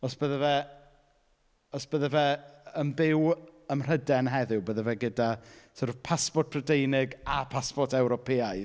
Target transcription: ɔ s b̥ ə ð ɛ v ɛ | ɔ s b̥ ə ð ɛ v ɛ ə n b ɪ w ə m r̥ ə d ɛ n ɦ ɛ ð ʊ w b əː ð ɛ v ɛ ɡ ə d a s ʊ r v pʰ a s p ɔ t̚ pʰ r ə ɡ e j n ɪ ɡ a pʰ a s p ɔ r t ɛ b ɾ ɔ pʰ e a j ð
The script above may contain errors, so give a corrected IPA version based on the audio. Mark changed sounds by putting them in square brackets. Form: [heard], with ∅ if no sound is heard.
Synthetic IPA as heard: ɔ s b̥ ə ð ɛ v ɛ | ɔ s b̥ ə ð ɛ v ɛ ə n b ɪ w ə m r̥ ə d ɛ n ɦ ɛ ð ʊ w b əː ð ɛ v ɛ ɡ ə d a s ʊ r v pʰ a s p ɔ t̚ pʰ r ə [d] e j n ɪ ɡ a pʰ a s p ɔ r t ɛ [w] ɾ ɔ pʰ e a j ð